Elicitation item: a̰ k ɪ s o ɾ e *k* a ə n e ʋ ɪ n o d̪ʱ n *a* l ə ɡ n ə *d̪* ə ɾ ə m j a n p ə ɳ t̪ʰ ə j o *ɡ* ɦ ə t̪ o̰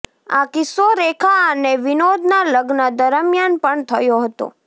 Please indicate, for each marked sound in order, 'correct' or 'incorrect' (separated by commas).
incorrect, correct, correct, incorrect